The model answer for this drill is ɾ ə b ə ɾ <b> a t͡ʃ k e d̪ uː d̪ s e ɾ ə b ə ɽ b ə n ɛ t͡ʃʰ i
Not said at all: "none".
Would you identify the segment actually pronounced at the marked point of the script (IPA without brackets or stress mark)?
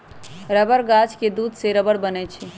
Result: ɡ